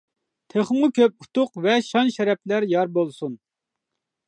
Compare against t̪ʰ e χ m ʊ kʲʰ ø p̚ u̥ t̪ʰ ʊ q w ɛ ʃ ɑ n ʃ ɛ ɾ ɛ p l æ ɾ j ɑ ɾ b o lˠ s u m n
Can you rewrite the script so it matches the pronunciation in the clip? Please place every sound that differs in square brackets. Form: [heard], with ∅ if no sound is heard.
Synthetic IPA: t̪ʰ e χ m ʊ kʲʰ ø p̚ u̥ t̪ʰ ʊ q [v] ɛ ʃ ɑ n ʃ ɛ ɾ ɛ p l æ ɾ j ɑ ɾ b o lˠ s u [∅] n